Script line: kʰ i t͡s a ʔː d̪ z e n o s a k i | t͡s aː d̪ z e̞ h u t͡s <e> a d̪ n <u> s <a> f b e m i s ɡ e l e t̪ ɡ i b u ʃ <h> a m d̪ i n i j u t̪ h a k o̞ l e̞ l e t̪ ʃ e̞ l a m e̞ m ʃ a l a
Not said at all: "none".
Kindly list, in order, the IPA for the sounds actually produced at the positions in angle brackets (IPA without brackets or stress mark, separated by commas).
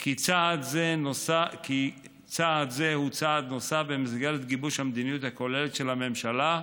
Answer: a, o, a, h